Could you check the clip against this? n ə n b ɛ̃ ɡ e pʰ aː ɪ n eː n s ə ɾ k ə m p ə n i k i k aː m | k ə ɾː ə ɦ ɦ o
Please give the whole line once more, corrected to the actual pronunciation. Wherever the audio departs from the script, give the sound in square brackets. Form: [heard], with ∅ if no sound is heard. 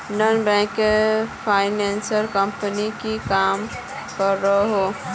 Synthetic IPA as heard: n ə n b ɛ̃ [k] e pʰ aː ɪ n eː n s ə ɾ k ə m p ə n i k i k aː m | k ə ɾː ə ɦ ɦ o